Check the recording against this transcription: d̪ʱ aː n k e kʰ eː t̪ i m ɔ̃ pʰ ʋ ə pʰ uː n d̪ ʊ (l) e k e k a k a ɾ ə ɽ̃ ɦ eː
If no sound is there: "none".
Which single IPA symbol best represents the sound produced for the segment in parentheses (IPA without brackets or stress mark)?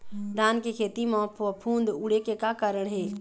ɽ